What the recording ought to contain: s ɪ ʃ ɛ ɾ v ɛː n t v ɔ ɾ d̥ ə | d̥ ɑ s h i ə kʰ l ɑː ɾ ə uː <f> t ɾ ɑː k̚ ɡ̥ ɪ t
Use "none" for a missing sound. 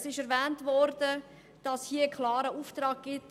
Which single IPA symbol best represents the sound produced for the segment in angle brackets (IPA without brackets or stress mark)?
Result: f